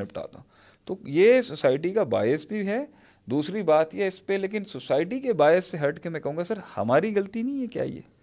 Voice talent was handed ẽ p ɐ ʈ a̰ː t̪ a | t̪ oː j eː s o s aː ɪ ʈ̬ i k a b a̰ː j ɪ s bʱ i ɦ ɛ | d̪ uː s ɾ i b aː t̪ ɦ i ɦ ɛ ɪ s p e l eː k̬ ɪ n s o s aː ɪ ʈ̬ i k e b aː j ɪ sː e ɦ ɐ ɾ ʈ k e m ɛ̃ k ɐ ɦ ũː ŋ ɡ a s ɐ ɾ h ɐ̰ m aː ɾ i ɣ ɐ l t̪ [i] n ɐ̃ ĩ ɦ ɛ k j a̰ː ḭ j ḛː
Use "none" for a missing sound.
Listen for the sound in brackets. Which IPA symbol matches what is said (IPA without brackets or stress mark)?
i